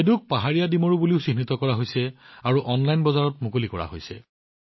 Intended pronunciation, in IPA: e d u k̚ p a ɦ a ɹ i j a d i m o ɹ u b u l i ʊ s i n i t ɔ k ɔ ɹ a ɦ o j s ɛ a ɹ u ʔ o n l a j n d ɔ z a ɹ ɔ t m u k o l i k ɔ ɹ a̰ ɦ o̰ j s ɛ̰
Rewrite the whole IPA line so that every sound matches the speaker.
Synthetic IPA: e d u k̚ p a ɦ a ɹ i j a d i m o ɹ u b u l i ʊ s i n i t ɔ k ɔ ɹ a ɦ o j s ɛ a ɹ u ʔ ɔ n l a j n b ɔ z a ɹ ɔ t m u k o l i k ɔ ɹ a̰ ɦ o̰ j s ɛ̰